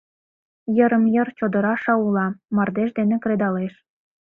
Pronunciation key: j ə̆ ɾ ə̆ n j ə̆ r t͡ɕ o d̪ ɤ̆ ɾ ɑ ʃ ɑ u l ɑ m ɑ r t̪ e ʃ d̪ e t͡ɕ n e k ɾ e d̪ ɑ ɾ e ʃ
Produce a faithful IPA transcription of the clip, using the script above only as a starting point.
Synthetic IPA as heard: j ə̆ ɾ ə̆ m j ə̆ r t͡ɕ o d̪ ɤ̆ ɾ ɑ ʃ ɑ u l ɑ m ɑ r d̪ e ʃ d̪ e n e k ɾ e d̪ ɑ l e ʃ